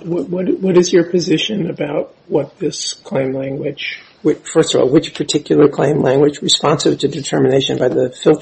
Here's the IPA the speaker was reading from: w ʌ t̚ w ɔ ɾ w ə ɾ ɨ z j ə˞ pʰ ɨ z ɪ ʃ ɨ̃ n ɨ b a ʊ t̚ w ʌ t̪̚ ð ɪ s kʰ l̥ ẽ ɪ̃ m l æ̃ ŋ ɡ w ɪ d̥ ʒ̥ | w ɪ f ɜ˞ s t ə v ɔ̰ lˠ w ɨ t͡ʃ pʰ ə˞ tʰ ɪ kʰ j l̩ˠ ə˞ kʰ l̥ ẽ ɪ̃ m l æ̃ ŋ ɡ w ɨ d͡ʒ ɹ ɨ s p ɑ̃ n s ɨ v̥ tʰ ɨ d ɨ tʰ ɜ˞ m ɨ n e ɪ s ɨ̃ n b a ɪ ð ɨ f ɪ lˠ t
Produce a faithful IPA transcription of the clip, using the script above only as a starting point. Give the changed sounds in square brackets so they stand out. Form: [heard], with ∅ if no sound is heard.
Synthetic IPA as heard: w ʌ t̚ w [ʌ] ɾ w [ʌ] ɾ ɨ z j ə˞ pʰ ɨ z ɪ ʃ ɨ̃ n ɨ b a ʊ t̚ w ʌ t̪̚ ð ɪ s kʰ l̥ ẽ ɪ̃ m l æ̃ ŋ ɡ w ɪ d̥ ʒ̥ | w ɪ f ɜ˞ s t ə v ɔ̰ lˠ w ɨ t͡ʃ pʰ ə˞ tʰ ɪ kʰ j l̩ˠ ə˞ kʰ l̥ ẽ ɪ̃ m l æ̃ ŋ ɡ w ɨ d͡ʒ ɹ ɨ s p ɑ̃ n s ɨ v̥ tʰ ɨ d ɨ tʰ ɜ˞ m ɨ n e ɪ [ʃ] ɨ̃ n b a ɪ ð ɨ f ɪ lˠ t